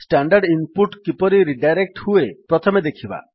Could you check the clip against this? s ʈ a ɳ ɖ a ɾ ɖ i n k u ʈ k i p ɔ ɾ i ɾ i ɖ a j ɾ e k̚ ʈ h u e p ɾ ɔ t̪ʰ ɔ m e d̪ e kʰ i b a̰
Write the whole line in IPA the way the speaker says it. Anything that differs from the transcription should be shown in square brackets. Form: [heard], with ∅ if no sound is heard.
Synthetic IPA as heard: s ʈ a ɳ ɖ a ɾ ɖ i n [p] u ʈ k i p ɔ ɾ i ɾ i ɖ a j ɾ e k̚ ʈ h u e p ɾ ɔ t̪ʰ ɔ m e d̪ e kʰ i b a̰